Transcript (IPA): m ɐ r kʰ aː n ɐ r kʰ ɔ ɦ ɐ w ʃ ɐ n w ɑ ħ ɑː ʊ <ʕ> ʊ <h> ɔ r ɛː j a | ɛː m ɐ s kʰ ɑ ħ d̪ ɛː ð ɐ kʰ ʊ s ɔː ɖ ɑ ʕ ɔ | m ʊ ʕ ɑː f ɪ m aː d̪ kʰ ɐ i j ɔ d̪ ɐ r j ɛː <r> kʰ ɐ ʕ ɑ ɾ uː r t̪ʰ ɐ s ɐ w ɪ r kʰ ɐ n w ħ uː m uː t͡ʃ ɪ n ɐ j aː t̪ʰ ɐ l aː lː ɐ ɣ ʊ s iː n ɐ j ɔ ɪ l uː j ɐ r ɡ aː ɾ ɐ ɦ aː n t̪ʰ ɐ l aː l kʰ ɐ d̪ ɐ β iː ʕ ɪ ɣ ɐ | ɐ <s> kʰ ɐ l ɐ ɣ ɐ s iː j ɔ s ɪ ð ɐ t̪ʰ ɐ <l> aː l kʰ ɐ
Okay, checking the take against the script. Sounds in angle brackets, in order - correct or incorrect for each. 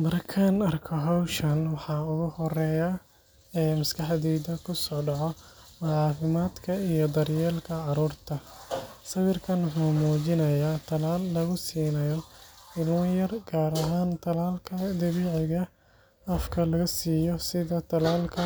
incorrect: ɣ, correct, incorrect: l, incorrect: f, correct

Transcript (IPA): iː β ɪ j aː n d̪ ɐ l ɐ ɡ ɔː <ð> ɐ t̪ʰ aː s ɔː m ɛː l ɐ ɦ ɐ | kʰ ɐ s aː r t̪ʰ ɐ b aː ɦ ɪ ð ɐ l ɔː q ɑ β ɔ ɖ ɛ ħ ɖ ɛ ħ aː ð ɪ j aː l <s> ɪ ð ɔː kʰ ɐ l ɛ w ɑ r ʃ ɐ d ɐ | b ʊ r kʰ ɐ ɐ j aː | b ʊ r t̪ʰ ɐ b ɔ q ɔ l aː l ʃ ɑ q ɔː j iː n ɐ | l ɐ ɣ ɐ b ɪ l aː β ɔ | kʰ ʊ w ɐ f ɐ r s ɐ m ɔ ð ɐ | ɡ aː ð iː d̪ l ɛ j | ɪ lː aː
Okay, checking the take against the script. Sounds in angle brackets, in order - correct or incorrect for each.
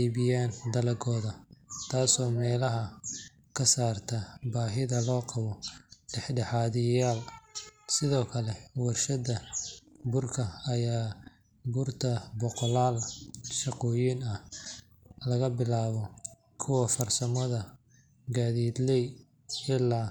correct, correct

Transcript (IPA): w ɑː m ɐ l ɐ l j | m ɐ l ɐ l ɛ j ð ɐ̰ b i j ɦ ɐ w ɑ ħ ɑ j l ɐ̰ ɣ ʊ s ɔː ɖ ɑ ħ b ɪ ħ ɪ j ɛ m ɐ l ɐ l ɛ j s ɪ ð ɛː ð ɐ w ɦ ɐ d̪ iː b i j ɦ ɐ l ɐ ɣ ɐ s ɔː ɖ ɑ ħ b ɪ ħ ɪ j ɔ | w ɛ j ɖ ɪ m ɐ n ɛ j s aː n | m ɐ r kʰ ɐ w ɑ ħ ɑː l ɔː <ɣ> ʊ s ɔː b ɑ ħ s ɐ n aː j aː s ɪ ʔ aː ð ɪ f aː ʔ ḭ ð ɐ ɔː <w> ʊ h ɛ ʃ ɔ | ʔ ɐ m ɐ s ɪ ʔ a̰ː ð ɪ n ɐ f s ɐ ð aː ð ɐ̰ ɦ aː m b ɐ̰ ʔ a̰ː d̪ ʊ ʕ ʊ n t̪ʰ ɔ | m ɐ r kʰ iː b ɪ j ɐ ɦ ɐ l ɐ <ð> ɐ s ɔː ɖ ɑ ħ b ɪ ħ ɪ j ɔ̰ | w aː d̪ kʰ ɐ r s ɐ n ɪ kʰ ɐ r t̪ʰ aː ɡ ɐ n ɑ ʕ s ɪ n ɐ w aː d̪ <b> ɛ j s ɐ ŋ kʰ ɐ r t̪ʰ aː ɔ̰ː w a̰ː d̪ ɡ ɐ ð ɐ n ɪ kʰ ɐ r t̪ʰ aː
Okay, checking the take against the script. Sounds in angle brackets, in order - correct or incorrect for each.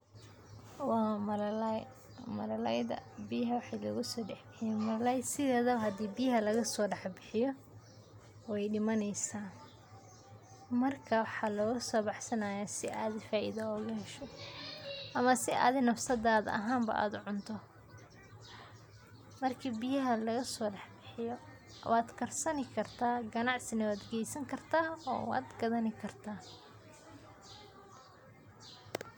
correct, incorrect: ɣ, incorrect: ɣ, incorrect: ɡ

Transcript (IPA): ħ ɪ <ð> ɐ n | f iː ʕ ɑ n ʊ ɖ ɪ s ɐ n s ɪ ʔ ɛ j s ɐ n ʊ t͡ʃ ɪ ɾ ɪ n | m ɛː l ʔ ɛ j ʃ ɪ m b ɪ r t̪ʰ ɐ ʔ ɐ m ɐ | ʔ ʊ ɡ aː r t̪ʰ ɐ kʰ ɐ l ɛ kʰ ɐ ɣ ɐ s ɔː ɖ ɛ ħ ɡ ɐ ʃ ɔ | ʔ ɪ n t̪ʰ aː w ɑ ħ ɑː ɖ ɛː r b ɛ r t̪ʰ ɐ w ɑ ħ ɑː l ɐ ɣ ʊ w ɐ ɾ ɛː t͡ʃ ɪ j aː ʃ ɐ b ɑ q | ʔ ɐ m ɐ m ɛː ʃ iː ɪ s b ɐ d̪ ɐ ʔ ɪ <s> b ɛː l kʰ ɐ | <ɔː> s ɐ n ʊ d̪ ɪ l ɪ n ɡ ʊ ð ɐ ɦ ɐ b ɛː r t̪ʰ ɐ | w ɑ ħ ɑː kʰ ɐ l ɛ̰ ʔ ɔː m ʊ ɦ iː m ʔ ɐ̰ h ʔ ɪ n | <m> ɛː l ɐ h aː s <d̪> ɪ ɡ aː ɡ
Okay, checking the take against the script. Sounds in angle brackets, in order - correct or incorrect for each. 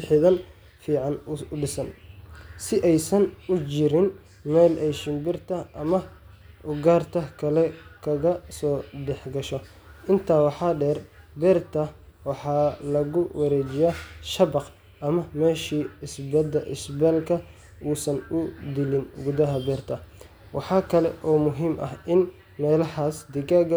correct, correct, incorrect: uː, correct, correct

